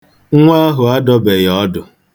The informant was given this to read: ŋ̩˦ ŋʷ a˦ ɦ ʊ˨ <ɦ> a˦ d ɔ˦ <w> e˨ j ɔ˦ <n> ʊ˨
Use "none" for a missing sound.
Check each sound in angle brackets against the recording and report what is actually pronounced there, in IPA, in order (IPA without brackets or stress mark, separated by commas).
none, b, d